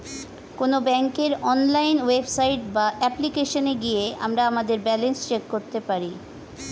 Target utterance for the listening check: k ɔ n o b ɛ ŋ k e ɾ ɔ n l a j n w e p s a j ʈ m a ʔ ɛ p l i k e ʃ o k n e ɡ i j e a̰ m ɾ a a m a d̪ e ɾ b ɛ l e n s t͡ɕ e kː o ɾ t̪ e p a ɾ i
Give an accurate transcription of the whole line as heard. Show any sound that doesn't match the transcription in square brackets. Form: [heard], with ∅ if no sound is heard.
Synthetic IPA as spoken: k [o] n o b ɛ ŋ k e ɾ ɔ n l a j n w e [b] s a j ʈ [b] a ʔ ɛ p l i k e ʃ o [∅] n e ɡ i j e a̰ m ɾ a a m a d̪ e ɾ b ɛ l e n s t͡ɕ e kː o ɾ t̪ e p a ɾ i